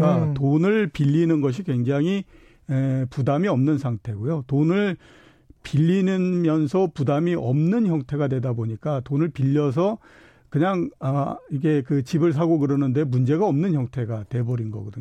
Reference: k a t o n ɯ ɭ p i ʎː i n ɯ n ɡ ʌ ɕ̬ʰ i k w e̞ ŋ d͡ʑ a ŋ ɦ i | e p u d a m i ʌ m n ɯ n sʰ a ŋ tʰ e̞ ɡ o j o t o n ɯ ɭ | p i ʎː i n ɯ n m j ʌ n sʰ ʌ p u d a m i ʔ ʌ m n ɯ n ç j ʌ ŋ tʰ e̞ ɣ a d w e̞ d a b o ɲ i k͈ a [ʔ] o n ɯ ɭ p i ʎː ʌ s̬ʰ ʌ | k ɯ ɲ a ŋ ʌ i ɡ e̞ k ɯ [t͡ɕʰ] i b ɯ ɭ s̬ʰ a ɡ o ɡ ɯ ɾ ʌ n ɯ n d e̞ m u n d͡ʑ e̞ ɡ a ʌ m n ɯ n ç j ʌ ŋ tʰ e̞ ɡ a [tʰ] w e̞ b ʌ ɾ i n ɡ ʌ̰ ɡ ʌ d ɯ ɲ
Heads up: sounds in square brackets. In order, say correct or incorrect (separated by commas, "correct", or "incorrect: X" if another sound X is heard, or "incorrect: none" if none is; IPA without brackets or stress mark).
incorrect: t, incorrect: t͡ɕ, incorrect: t